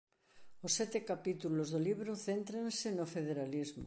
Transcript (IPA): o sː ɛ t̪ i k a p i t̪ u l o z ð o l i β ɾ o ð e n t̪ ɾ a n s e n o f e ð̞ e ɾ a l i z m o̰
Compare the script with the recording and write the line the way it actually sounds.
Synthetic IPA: o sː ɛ t̪ e k a p i t̪ u l o z ð o l i β ɾ o θ e n t̪ ɾ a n s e n o f e ð̞ e ɾ a l i z m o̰